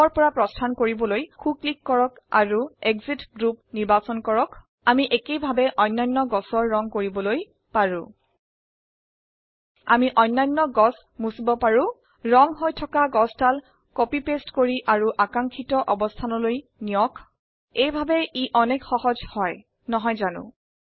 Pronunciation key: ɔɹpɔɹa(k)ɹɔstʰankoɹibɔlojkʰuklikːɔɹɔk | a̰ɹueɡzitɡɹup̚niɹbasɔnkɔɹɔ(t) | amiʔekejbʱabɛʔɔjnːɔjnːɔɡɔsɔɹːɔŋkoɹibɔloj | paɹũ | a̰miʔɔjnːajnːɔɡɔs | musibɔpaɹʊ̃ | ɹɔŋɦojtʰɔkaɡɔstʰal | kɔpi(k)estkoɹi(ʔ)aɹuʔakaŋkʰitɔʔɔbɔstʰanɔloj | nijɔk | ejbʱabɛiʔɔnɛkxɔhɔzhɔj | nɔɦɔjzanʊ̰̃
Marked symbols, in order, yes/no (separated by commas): no, no, no, yes